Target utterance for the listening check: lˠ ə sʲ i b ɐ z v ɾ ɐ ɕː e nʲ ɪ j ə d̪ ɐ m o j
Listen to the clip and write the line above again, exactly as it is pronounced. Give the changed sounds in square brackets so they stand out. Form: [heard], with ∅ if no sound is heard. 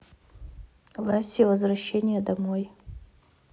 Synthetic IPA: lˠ [a] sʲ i [v] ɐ z v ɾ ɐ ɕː e nʲ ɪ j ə d̪ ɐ m o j